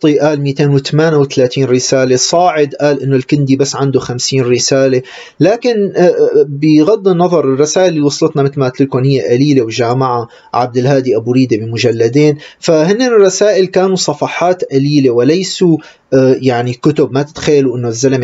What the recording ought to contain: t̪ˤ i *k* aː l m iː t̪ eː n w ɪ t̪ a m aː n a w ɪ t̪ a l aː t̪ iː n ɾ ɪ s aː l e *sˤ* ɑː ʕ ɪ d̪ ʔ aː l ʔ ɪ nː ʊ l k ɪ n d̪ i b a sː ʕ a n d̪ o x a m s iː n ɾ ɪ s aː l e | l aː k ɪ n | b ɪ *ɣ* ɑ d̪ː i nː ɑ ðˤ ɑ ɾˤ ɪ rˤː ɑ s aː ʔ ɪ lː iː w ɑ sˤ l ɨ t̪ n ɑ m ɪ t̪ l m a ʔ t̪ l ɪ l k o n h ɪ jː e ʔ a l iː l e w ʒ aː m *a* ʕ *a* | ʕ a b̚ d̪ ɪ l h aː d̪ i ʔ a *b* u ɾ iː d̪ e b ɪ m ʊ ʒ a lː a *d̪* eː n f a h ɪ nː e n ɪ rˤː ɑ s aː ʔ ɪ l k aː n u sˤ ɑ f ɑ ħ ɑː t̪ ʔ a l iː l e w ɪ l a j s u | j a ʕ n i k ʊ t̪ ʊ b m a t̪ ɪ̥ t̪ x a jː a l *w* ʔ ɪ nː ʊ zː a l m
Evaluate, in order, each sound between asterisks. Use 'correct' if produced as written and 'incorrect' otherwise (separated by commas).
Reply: incorrect, correct, correct, correct, correct, correct, correct, incorrect